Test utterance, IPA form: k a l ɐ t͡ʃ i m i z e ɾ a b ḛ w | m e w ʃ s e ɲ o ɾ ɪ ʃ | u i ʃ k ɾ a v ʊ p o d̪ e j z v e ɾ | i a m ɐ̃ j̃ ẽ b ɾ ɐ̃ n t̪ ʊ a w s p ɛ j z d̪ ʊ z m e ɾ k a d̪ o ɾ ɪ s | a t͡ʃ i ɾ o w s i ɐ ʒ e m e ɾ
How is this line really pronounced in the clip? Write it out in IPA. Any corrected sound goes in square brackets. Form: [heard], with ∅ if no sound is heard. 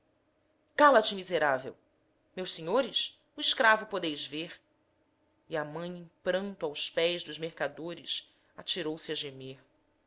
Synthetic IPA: k a l ɐ t͡ʃ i m i z e ɾ a [v] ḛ w | m e w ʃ s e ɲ o ɾ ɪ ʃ | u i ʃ k ɾ a v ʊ p o d̪ e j z v e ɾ | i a m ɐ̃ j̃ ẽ [p] ɾ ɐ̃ n t̪ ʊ a w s p ɛ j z d̪ ʊ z m e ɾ k a d̪ o ɾ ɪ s | a t͡ʃ i ɾ o w s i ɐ ʒ e m e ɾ